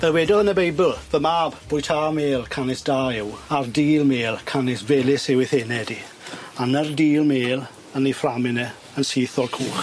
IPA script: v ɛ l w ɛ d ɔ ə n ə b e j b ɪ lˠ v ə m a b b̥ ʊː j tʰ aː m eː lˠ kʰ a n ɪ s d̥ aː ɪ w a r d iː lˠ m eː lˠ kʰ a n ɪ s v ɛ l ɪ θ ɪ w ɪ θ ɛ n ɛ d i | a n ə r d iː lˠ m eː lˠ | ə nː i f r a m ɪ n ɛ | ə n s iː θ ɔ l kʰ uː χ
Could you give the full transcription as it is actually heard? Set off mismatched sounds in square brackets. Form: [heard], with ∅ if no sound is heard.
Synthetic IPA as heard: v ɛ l w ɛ d ɔ ə n ə b e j b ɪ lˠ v ə m a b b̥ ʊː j tʰ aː m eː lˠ kʰ a n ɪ s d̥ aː ɪ w a r d iː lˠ m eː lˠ kʰ a n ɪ s v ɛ l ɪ [s] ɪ w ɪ θ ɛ n ɛ d i | a n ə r d iː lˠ m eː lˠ | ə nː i f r a m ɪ n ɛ | ə n s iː θ ɔ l kʰ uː χ